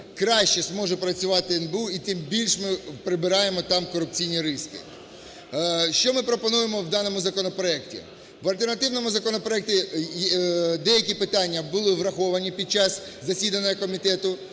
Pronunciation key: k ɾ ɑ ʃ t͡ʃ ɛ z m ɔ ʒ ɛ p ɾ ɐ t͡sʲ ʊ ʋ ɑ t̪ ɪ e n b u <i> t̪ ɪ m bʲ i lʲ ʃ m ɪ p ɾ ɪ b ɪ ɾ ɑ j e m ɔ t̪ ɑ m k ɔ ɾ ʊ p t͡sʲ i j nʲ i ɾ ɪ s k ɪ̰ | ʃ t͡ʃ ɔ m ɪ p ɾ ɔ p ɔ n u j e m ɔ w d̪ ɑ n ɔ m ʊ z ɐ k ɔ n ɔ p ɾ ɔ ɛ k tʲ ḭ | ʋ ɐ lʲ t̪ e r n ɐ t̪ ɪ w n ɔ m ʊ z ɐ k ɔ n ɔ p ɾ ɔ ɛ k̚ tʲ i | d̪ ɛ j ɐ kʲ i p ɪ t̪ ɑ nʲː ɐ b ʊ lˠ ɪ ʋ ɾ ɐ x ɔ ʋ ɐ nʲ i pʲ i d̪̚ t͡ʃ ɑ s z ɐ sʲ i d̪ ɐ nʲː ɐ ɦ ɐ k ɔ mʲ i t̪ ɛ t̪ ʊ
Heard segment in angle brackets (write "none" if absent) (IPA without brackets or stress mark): i